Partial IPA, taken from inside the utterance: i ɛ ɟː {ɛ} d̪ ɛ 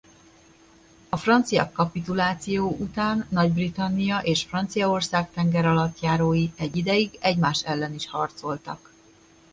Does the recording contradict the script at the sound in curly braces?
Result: yes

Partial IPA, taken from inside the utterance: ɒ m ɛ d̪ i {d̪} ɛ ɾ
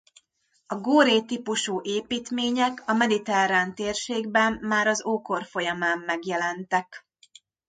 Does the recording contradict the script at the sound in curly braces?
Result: yes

